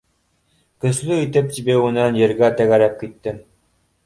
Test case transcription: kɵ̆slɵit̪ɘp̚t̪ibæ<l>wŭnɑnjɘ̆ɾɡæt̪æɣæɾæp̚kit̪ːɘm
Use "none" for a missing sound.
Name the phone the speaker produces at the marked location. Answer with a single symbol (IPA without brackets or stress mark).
none